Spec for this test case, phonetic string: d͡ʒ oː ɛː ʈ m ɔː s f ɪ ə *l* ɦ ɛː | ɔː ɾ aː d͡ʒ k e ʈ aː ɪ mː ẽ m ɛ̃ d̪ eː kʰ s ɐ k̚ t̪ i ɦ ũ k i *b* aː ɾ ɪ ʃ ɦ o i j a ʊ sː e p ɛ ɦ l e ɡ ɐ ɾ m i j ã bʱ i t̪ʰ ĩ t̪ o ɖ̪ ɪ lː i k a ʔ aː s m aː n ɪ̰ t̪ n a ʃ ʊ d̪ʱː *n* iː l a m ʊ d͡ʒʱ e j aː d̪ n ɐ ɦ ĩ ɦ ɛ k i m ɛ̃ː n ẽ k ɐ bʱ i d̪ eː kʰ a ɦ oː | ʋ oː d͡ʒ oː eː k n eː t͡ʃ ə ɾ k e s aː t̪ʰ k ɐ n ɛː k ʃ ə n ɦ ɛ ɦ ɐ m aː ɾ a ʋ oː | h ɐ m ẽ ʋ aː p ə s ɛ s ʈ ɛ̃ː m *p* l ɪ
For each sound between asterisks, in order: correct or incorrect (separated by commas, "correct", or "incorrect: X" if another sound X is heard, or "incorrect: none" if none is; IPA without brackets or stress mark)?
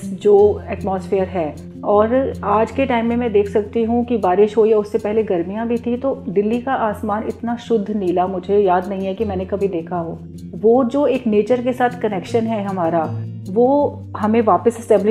incorrect: ɾ, correct, correct, incorrect: b